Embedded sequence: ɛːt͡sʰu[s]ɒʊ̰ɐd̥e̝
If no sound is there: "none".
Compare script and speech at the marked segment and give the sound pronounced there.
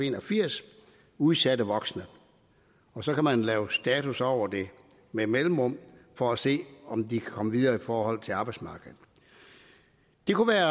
s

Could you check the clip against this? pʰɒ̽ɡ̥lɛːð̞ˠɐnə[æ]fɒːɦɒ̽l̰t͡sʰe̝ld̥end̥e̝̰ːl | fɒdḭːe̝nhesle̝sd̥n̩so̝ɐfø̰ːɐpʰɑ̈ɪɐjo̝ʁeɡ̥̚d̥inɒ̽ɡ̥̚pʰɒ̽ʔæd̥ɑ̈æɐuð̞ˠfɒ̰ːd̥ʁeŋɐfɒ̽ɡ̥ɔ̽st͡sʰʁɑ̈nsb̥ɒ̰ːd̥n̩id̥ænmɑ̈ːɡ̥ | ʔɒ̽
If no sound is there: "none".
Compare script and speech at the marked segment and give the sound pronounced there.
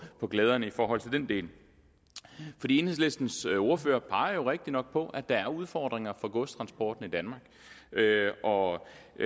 i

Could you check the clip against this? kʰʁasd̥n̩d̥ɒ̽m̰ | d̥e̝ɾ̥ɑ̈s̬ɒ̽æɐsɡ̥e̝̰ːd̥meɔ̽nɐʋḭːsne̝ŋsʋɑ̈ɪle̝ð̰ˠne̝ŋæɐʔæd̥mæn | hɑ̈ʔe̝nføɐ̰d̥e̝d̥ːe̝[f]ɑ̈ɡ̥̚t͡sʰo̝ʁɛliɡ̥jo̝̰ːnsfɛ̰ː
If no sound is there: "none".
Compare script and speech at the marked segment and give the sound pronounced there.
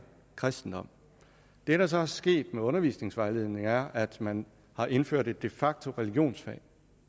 f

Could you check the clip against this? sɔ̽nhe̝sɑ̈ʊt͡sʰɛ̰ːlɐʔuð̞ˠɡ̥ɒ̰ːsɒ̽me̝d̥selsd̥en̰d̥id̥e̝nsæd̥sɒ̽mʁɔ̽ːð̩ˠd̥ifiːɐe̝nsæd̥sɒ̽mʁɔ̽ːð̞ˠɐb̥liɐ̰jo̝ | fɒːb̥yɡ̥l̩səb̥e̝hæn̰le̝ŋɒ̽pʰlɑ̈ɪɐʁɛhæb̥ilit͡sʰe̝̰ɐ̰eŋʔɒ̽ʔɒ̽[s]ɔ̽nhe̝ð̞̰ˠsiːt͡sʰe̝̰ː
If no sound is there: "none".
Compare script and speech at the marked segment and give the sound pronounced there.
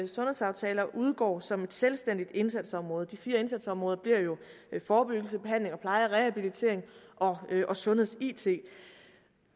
s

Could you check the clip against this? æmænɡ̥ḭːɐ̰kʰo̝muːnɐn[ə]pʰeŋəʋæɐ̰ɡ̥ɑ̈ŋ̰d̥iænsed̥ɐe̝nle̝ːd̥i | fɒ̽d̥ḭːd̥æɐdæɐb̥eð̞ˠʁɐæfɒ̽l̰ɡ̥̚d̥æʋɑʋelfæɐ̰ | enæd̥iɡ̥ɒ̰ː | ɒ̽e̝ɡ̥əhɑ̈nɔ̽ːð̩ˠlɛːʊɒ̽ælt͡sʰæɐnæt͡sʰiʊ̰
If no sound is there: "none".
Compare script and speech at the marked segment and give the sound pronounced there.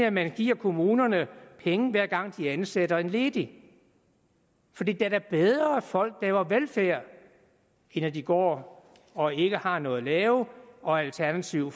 ə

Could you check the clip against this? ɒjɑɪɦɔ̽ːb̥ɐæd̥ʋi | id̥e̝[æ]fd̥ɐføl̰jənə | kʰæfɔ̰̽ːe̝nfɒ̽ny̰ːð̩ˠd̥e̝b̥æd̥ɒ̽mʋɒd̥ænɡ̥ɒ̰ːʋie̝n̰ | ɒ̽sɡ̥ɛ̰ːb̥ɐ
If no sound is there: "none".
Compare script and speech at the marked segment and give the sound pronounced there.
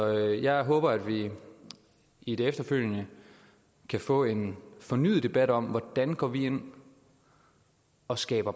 e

